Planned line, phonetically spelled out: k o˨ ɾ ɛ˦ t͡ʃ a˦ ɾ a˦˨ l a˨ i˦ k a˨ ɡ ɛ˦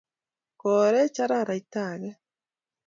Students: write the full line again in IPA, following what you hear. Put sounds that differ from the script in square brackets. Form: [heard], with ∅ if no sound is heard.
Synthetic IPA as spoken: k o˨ ɾ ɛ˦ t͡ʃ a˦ ɾ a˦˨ [ɾ] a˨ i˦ [t] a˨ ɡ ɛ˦